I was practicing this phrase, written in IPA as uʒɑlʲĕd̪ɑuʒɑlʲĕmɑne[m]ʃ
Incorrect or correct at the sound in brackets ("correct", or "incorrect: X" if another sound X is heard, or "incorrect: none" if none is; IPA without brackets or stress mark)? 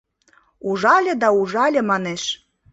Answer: incorrect: none